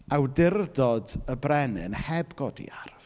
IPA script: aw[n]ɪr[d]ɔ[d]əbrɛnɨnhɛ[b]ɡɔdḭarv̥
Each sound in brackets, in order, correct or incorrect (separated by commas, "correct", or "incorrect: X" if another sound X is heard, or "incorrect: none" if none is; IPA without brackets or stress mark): incorrect: d, correct, correct, correct